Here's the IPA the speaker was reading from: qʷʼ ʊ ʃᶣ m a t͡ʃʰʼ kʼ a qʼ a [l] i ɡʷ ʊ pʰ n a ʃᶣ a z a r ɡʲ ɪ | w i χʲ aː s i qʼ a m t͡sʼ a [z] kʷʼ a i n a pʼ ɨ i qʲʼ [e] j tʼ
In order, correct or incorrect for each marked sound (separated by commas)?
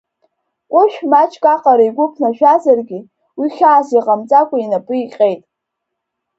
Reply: incorrect, incorrect, correct